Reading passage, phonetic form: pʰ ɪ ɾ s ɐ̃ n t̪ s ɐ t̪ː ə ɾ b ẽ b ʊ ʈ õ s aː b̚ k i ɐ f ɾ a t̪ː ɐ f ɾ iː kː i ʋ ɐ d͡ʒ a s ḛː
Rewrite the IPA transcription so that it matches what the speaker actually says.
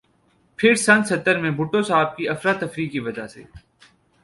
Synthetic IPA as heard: pʰ ɪ ɾ s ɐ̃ n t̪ s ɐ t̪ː ə ɾ m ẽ b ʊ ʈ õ s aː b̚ k i ɐ f ɾ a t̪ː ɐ f ɾ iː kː i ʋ ɐ d͡ʒ a s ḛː